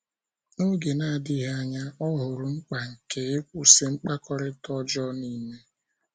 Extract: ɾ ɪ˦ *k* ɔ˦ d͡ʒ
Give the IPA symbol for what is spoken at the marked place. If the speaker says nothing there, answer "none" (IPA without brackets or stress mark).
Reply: t